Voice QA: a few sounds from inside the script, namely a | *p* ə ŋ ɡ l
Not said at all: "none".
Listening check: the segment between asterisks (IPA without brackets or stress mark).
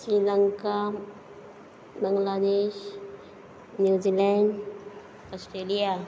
b